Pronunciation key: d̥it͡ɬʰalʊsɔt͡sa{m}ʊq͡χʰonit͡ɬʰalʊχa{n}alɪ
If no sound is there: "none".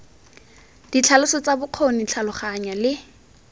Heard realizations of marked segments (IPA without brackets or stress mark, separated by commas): b, ɲ